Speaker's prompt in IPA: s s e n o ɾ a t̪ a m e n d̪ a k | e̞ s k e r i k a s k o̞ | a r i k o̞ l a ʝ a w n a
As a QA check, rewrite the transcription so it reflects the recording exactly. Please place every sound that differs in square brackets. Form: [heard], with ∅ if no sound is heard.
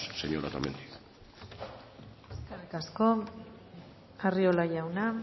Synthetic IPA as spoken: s s e [ɲ] o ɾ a t̪ a m e n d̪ [i] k | e̞ s k e r i k a s k o̞ | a r i [∅] o̞ l a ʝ a w n a